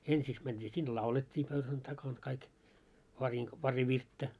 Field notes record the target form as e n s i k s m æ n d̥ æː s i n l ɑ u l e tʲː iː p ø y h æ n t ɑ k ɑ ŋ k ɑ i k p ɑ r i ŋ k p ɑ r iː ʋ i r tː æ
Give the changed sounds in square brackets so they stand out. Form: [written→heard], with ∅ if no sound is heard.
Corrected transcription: e n s i k s m æ n d̥ [æː→iː] s i n l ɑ u l e tʲː iː p ø y h æ n t ɑ k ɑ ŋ k ɑ i k p ɑ r i ŋ k p ɑ r [iː→i] ʋ i r tː æ